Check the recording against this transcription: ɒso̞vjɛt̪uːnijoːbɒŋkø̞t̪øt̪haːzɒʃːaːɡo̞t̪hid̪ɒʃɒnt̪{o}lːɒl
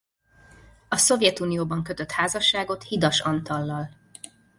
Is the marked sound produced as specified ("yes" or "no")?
no